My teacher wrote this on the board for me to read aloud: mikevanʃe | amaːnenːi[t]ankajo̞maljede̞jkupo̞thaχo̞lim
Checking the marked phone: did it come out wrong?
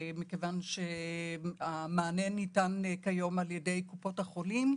no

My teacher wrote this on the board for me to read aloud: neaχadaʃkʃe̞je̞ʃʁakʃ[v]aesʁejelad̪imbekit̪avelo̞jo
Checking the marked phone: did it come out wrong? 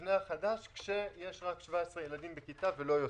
no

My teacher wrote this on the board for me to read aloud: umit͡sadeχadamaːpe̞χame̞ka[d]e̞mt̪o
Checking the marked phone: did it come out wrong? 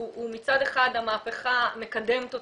no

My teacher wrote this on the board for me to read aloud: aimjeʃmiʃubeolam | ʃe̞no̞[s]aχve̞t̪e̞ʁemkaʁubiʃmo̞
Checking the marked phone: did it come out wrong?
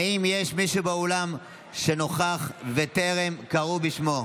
yes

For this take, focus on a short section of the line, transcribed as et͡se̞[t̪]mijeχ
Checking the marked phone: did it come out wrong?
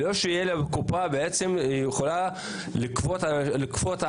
yes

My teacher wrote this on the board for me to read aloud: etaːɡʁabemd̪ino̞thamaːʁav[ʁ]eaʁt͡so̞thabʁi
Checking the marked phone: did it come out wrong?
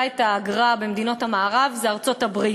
yes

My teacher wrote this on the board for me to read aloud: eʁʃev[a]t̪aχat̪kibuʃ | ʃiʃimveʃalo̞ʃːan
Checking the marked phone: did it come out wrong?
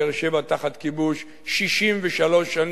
no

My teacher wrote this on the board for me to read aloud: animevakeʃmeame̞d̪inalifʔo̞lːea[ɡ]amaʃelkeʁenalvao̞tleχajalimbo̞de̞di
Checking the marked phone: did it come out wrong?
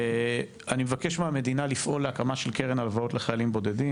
yes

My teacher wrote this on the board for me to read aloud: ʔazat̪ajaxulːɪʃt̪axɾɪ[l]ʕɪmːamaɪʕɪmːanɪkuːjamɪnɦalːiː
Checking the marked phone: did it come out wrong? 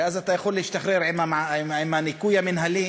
yes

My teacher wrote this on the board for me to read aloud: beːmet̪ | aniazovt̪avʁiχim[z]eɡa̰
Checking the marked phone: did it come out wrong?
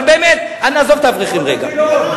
yes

